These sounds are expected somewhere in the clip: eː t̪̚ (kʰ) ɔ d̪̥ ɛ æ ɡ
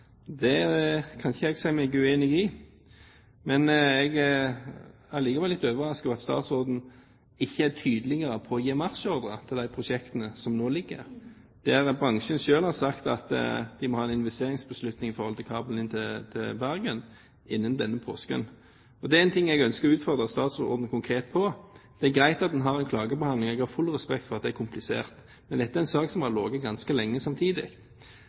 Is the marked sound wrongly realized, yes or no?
yes